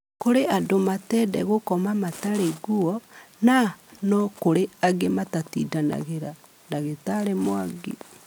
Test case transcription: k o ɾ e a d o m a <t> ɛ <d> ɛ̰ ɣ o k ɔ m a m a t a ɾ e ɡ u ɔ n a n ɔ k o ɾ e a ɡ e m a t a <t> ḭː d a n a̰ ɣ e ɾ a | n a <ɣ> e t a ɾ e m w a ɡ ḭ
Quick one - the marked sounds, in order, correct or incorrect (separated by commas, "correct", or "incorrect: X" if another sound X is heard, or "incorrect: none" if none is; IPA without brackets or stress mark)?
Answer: correct, correct, correct, correct